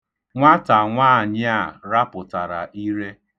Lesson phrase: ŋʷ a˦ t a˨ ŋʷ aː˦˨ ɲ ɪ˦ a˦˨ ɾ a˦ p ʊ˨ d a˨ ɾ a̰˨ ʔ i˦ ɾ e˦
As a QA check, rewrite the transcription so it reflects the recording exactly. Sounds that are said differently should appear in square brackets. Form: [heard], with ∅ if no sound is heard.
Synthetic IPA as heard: ŋʷ a˦ t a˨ ŋʷ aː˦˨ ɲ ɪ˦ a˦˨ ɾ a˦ p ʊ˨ [t] a˨ ɾ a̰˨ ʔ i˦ ɾ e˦